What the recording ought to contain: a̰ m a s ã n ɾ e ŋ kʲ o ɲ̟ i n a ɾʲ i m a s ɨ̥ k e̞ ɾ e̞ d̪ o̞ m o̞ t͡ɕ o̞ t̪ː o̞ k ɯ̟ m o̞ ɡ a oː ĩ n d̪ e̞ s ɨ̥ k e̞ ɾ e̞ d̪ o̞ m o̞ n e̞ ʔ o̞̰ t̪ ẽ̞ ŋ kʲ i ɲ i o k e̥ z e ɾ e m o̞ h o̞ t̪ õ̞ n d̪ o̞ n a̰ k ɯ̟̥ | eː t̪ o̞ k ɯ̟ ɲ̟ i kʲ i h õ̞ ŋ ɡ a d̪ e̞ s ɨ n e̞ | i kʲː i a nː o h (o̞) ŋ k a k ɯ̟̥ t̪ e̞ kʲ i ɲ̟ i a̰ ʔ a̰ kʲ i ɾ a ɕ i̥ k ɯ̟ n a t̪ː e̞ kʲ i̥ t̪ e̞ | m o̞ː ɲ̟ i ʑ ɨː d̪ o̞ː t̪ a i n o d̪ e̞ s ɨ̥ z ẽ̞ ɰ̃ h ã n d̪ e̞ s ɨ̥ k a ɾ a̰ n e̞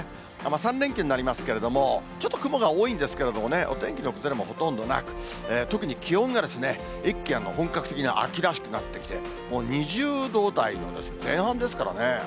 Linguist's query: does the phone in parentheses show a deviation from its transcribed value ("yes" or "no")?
yes